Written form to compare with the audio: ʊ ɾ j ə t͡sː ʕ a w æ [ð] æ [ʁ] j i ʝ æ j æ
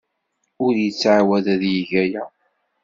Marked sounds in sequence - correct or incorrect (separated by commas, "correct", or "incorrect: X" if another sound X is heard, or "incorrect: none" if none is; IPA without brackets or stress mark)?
correct, incorrect: ð